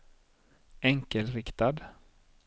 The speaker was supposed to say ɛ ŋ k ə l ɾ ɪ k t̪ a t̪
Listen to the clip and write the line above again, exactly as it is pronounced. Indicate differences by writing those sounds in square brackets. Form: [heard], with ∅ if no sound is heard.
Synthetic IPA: ɛ ŋ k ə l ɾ ɪ k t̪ a [d̪]